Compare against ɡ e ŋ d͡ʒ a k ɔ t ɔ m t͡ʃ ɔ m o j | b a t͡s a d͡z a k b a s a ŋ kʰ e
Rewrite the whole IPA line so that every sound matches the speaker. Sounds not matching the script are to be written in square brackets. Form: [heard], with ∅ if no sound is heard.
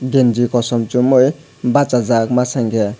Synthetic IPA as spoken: ɡ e [n] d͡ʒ [i] k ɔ [s] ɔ m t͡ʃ [u] m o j | b a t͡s a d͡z a k [m] a s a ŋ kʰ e